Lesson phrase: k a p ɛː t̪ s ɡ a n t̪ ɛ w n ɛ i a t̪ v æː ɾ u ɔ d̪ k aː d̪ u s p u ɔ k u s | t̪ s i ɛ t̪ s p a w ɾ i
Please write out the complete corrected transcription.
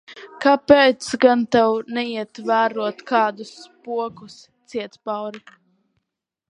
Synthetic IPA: k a p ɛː t̪ s ɡ a n t̪ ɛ w n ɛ i ɛ t̪ v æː ɾ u ɔ t̪ k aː d̪ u s p u ɔ k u s | t̪ s i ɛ t̪ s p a w ɾ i